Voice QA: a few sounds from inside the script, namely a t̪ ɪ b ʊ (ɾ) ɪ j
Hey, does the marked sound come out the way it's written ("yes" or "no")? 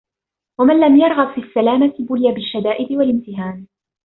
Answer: no